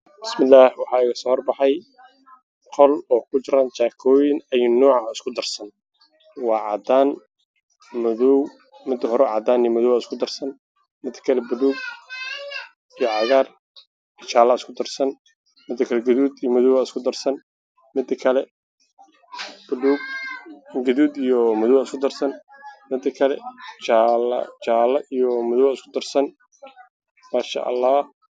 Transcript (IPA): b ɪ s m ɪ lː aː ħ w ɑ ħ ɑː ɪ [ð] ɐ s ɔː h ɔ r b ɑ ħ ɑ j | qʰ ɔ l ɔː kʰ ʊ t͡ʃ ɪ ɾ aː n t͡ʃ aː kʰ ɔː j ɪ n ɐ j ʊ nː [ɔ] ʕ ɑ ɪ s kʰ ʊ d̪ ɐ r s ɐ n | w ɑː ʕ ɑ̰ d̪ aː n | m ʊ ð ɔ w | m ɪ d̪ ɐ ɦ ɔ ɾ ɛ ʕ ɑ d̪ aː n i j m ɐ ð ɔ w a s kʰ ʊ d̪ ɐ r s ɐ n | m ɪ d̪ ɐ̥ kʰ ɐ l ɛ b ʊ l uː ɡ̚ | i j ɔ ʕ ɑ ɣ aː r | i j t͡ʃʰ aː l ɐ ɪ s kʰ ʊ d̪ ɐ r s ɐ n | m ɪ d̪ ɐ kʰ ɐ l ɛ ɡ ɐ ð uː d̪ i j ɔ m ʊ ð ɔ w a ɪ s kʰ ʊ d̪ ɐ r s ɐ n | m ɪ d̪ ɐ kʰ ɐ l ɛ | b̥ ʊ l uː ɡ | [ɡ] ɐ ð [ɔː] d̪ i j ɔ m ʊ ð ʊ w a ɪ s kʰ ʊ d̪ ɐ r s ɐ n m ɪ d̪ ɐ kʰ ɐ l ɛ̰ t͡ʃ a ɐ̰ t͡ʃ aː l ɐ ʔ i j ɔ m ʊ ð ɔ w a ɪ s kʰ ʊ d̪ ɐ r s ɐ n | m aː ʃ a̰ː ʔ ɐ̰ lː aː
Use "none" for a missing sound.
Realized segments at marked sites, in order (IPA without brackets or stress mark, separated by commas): ɣ, ɔː, ɡ, uː